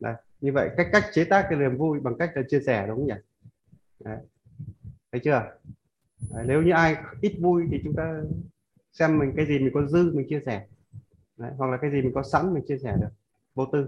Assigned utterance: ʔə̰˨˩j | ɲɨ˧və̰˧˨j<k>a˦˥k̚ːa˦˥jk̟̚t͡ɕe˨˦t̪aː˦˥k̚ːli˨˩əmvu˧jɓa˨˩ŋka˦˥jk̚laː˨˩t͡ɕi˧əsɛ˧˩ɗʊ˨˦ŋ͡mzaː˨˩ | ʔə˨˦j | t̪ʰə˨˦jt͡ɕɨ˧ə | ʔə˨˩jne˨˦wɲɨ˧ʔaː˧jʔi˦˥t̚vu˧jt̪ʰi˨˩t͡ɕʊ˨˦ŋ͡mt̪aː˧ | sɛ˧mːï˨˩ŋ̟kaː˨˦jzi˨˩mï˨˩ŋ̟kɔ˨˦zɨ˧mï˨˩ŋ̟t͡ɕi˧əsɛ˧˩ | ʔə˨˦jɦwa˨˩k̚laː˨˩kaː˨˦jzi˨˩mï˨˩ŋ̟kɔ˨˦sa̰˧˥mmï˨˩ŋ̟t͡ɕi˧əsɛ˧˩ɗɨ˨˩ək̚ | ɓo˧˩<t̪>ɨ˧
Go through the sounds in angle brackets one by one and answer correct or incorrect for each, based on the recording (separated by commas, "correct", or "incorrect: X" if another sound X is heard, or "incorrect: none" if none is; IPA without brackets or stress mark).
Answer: correct, correct